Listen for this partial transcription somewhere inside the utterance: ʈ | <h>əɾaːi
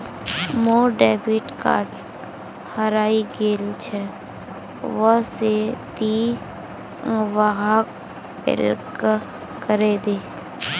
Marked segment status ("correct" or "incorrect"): correct